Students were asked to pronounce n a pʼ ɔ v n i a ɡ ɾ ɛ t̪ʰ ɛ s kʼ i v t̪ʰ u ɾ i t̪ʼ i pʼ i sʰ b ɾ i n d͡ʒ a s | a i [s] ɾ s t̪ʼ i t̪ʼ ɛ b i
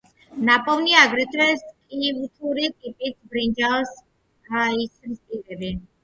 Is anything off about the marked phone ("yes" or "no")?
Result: no